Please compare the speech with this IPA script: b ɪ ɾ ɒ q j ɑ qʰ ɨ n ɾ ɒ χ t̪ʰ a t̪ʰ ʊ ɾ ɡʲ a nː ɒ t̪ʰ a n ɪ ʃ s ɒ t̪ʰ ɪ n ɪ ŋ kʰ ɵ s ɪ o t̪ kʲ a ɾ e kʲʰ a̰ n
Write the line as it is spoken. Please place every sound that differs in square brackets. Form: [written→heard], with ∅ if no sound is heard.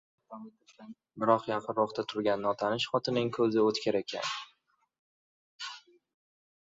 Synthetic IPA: b ɪ ɾ ɒ q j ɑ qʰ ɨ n ɾ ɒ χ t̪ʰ a t̪ʰ ʊ ɾ ɡʲ a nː ɒ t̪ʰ a n ɪ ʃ [s→χ] ɒ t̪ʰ ɪ n ɪ ŋ kʰ ɵ [s→z] ɪ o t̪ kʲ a ɾ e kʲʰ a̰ n